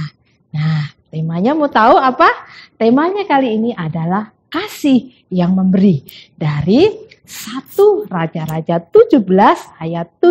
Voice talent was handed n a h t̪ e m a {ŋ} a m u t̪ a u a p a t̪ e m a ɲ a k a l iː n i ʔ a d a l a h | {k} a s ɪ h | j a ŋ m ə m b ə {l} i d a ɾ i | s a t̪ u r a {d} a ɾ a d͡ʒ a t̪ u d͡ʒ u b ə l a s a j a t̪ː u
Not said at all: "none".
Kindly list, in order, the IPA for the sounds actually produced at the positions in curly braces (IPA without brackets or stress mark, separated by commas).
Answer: ɲ, k, ɾ, d͡ʒ